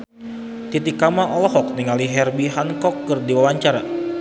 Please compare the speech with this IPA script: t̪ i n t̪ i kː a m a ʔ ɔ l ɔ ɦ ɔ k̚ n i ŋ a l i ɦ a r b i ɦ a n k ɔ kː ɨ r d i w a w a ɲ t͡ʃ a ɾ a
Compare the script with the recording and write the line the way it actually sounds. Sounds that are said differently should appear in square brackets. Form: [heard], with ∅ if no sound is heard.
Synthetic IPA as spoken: t̪ i [∅] t̪ i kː a m a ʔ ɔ l ɔ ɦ ɔ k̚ n i ŋ a l i ɦ [ɛ] r b i ɦ a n k ɔ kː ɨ r d i w a w a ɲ t͡ʃ a ɾ a